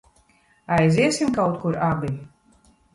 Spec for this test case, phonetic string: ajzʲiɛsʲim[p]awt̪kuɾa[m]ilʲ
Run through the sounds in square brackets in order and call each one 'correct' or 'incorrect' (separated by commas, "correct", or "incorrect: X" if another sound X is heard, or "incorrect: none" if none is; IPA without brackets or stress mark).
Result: incorrect: k, incorrect: b